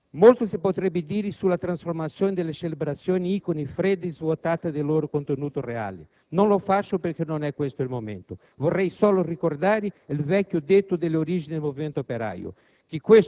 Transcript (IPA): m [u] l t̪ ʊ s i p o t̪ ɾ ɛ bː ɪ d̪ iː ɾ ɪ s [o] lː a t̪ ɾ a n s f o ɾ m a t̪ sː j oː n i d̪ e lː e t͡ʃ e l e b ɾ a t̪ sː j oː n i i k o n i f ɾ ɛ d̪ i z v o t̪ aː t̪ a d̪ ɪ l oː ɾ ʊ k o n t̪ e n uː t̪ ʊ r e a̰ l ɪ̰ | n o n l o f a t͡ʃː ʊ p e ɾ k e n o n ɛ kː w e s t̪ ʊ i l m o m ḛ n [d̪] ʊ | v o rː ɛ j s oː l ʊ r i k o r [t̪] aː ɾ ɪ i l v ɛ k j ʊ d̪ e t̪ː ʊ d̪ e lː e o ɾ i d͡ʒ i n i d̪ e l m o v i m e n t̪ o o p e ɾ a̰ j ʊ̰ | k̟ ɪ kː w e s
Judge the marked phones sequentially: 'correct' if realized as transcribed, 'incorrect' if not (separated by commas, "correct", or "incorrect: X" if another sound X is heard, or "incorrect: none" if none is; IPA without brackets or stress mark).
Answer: incorrect: o, incorrect: u, incorrect: t̪, incorrect: d̪